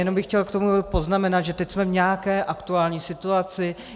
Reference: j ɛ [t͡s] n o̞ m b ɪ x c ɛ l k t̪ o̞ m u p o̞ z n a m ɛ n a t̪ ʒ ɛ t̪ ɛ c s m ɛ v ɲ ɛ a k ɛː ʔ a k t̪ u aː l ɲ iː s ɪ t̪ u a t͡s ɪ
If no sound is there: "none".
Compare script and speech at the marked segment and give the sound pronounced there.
none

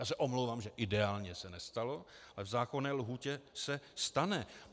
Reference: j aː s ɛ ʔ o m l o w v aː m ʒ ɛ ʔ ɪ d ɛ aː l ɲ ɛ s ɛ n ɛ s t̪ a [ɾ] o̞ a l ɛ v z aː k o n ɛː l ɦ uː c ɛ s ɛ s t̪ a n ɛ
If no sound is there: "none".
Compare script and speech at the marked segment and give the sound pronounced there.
l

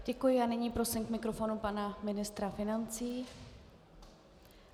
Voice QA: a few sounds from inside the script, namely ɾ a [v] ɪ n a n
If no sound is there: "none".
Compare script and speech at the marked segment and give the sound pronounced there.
f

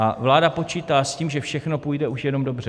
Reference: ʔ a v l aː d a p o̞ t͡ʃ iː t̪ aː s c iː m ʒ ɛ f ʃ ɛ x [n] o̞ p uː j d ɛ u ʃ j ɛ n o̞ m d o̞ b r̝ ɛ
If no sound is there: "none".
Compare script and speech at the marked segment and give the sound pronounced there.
n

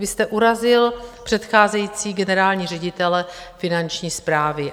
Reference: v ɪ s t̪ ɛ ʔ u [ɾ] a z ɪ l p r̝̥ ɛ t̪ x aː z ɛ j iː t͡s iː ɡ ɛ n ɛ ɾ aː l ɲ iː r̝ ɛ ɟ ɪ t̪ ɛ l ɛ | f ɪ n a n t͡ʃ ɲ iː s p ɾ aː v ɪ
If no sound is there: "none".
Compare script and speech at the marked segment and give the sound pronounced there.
ɾ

